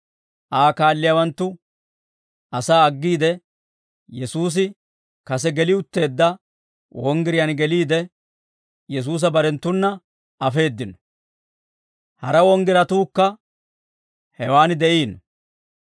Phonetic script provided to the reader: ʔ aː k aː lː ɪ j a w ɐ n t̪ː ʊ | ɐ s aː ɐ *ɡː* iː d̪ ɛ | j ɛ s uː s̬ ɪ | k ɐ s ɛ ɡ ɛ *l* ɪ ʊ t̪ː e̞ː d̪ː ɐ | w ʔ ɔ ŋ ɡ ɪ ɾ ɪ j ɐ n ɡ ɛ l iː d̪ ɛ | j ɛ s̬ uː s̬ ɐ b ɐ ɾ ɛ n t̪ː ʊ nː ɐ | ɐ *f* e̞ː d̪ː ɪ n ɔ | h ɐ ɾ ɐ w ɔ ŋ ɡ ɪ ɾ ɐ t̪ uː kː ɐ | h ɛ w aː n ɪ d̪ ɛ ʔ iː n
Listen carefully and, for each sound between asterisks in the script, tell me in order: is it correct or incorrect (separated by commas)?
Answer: correct, correct, correct